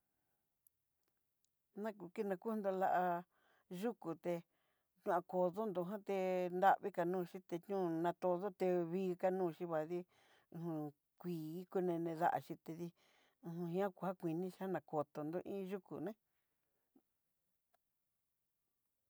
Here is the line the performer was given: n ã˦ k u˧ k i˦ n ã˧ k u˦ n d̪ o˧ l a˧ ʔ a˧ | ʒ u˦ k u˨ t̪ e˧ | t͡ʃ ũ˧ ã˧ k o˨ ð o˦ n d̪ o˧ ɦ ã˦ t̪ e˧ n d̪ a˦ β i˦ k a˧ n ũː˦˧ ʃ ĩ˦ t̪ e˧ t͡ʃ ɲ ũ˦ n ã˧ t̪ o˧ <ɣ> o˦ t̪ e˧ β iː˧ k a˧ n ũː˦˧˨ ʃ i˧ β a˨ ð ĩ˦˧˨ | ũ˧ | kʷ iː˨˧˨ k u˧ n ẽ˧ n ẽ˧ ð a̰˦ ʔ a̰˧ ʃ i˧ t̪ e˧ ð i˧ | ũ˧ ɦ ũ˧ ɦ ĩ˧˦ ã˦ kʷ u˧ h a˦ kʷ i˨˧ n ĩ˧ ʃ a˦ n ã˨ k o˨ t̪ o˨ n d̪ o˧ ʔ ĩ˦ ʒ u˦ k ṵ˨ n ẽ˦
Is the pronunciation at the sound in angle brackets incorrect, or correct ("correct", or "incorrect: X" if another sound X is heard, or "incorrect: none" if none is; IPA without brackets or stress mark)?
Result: incorrect: ð